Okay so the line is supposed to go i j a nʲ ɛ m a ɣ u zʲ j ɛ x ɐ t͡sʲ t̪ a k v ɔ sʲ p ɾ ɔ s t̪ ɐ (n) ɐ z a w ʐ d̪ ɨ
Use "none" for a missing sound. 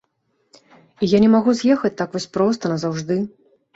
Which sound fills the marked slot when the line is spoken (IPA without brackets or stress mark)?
n